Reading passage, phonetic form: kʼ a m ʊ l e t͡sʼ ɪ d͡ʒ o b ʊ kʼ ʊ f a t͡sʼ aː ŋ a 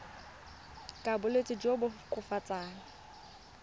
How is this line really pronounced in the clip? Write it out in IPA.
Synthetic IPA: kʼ a b ʊ l e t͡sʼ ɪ d͡ʒ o b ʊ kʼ ʊ f a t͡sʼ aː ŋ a